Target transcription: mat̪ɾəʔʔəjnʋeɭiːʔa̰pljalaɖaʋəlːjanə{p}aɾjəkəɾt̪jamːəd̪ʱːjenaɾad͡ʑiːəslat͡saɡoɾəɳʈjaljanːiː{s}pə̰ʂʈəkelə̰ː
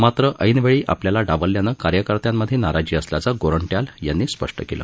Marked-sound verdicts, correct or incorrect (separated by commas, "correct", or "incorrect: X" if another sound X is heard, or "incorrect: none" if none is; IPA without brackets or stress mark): incorrect: k, correct